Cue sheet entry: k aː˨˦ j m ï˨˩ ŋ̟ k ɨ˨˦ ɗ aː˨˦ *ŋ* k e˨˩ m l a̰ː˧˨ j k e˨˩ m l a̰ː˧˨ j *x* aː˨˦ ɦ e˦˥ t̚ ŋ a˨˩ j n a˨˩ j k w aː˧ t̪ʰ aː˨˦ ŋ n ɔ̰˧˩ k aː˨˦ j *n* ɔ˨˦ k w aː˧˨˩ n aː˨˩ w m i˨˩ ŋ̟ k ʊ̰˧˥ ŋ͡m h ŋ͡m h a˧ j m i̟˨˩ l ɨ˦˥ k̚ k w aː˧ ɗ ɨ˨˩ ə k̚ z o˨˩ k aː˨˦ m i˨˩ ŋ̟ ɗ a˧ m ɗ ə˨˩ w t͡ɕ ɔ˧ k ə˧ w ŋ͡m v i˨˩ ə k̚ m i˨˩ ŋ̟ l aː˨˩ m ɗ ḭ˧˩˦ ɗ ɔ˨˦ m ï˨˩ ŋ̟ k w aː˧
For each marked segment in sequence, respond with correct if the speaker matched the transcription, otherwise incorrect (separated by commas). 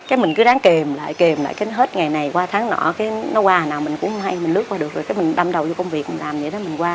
correct, incorrect, correct